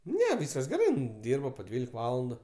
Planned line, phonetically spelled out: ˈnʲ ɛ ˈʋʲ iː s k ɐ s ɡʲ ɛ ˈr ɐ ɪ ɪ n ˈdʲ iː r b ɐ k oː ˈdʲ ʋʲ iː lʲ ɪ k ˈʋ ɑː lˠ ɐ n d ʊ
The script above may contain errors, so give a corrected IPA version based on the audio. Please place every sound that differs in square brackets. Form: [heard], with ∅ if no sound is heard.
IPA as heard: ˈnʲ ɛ ˈʋʲ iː s k ɐ s ɡʲ ɛ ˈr ɐ ɪ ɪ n ˈdʲ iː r b ɐ [p] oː ˈdʲ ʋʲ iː lʲ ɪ k ˈʋ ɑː lˠ ɐ n d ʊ